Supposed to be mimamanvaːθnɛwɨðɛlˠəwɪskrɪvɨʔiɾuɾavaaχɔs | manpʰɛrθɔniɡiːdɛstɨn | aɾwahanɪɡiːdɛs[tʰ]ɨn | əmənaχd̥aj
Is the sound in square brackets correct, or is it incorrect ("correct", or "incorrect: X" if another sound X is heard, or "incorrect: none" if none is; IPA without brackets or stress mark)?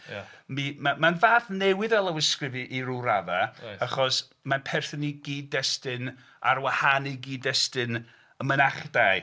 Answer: incorrect: t